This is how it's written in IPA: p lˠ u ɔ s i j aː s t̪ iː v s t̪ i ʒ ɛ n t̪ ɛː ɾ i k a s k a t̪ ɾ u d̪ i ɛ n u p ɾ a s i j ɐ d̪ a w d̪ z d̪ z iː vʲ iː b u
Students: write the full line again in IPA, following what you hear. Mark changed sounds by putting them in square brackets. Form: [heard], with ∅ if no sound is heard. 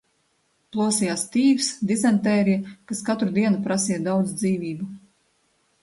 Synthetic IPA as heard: p lˠ u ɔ s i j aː s t̪ iː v s [d̪] i [z] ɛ n t̪ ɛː ɾ i k a s k a t̪ ɾ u d̪ i ɛ n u p ɾ a s i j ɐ d̪ a w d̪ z d̪ z iː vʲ iː b u